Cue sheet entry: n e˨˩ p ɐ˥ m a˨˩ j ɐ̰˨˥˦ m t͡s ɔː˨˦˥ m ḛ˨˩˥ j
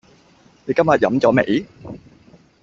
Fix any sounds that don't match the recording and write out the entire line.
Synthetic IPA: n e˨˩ k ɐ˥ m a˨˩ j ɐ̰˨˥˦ m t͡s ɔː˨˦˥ m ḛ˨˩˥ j